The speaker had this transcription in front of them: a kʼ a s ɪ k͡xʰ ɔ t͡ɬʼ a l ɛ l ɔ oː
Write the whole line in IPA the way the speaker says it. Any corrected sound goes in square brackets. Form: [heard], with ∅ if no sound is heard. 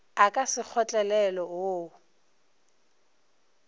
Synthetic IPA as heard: a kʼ a s ɪ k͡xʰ ɔ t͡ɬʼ [ɛ] l ɛ l ɔ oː